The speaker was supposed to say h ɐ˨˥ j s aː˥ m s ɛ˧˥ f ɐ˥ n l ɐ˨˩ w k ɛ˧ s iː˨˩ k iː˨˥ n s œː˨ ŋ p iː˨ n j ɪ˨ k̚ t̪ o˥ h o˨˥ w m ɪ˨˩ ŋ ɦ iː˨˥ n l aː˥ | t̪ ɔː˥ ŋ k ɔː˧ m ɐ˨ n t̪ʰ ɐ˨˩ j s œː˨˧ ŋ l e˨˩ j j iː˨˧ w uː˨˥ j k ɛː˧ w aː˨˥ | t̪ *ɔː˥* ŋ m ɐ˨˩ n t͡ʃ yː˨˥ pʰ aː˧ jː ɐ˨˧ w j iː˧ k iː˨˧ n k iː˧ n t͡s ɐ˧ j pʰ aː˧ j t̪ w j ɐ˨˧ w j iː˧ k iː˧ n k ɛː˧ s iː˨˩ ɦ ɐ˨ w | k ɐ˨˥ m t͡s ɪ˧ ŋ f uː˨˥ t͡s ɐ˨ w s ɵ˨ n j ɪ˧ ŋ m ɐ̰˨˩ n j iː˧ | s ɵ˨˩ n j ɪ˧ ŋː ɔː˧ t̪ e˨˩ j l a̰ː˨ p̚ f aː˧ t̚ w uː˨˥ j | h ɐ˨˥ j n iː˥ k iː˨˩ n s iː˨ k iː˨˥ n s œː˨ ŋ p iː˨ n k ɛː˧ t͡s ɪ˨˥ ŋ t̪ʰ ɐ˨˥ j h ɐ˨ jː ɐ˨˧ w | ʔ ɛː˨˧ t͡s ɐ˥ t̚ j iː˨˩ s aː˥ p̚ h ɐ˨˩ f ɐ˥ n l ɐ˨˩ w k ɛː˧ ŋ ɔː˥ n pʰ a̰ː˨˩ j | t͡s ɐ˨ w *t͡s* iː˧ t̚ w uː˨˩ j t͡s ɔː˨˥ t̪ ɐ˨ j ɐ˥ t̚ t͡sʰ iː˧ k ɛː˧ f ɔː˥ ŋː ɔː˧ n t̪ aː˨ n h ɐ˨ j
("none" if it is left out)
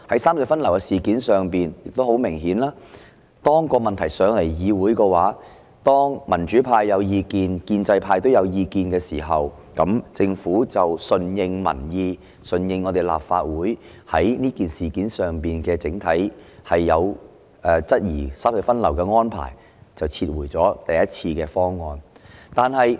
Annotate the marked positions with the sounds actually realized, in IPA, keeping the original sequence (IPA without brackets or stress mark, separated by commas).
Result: ɔː˥, t͡sʰ